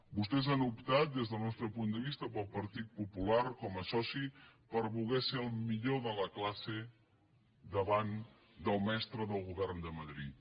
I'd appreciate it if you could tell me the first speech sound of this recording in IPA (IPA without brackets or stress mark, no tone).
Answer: b